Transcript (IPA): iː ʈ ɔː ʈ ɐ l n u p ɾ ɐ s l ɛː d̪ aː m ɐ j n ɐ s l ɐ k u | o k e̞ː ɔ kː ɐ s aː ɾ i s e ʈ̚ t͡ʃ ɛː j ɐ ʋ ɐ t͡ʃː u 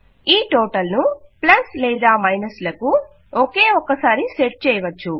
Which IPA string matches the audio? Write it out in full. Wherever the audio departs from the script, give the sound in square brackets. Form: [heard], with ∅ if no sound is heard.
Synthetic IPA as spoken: iː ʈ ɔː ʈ ɐ l n u p [l] ɐ s l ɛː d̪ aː m ɐ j n ɐ s l ɐ k u | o k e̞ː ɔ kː ɐ s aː ɾ i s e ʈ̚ t͡ʃ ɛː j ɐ ʋ ɐ t͡ʃː u